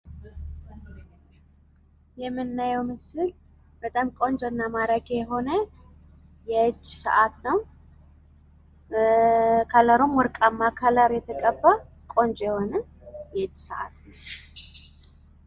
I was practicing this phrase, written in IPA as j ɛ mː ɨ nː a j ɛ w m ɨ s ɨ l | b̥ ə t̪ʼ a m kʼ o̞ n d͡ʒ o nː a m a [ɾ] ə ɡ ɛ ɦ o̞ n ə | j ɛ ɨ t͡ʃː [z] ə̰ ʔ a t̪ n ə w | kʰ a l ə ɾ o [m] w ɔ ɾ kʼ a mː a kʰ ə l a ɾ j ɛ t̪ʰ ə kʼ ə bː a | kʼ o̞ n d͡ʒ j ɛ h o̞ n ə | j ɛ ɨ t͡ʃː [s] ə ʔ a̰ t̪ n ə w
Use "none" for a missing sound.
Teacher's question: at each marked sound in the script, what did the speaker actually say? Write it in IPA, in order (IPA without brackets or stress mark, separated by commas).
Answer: ɾ, s, m, s